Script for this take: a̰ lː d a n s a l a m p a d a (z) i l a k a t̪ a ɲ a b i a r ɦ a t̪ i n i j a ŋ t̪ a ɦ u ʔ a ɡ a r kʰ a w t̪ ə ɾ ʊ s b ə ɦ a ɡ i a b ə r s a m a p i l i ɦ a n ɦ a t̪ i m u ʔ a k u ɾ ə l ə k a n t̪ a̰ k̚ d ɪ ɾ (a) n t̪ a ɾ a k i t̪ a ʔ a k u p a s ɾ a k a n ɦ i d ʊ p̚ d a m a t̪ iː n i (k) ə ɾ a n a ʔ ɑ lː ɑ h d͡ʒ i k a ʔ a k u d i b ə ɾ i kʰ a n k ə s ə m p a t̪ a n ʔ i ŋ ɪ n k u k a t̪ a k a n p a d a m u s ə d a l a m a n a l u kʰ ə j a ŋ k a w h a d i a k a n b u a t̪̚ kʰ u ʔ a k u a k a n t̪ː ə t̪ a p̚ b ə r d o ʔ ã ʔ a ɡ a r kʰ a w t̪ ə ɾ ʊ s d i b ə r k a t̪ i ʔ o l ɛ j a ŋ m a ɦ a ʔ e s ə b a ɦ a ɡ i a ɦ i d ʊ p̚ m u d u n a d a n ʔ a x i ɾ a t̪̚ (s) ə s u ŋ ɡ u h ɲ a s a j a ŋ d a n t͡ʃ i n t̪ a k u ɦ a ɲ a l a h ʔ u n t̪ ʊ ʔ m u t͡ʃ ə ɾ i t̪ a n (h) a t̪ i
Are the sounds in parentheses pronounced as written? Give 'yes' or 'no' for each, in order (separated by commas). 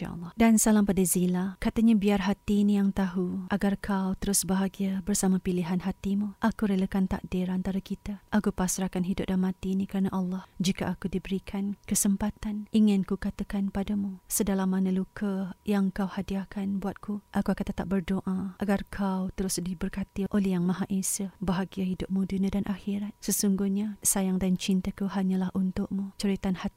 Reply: yes, yes, yes, yes, yes